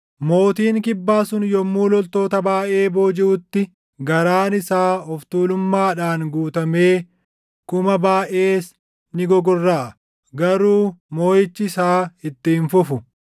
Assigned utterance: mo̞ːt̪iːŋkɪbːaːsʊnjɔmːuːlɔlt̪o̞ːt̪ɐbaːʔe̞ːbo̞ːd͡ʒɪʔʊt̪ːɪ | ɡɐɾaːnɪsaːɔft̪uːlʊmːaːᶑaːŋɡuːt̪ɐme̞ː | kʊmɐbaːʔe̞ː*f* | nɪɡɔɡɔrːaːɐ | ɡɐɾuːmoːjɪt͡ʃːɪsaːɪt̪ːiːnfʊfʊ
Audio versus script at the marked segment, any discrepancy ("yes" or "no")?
yes